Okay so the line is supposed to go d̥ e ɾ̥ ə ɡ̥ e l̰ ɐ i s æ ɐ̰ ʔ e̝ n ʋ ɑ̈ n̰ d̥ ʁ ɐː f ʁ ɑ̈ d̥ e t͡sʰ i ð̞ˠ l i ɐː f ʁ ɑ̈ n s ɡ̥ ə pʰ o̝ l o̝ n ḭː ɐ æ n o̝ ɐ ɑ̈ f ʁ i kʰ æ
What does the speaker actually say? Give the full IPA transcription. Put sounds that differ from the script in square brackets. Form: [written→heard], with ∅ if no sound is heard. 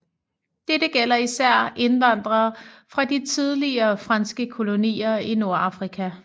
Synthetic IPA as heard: d̥ e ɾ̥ ə ɡ̥ e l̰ ɐ i s æ ɐ̰ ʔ e̝ n ʋ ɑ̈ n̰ d̥ ʁ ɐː f ʁ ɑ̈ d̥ [e→i] t͡sʰ i ð̞ˠ l i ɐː f ʁ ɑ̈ n s ɡ̥ ə [pʰ→kʰ] o̝ l o̝ n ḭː ɐ [æ→i] n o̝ ɐ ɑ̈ f ʁ i kʰ æ